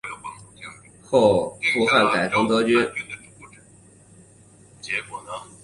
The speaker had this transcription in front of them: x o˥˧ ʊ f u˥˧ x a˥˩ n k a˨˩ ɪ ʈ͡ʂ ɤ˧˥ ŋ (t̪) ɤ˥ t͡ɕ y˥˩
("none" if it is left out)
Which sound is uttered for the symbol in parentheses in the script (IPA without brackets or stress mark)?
t̪